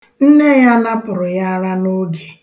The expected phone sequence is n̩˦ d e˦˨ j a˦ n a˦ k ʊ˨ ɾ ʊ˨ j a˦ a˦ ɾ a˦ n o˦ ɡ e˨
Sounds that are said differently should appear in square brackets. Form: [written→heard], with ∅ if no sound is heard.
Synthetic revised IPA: n̩˦ [d→n] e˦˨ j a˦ n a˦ [k→p] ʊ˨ ɾ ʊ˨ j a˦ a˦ ɾ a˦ n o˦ ɡ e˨